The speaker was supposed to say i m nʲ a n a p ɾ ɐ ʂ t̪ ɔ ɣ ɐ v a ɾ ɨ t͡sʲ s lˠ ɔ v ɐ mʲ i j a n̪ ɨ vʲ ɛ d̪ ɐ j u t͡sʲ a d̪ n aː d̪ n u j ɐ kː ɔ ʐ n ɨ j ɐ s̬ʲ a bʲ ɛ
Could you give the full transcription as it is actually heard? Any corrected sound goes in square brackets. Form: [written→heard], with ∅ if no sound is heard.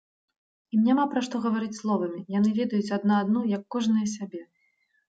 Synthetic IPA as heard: i m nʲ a [n→m] a p ɾ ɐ ʂ t̪ ɔ ɣ ɐ v a ɾ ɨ t͡sʲ s lˠ ɔ v ɐ mʲ i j a n̪ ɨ vʲ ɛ d̪ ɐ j u t͡sʲ a d̪ n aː d̪ n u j ɐ kː ɔ ʐ n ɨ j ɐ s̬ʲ a bʲ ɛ